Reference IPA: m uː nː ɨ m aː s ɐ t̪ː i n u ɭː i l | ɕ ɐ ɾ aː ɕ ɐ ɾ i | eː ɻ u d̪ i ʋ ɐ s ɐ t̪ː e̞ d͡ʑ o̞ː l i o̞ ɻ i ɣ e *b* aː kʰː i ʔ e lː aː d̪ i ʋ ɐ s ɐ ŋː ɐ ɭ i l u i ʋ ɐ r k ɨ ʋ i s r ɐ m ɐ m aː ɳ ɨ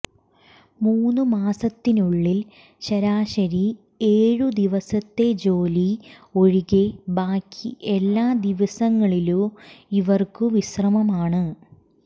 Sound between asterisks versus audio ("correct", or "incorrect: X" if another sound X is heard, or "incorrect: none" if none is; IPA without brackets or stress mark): correct